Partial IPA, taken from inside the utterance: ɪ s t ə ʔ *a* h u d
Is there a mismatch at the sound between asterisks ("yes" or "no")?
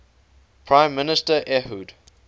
yes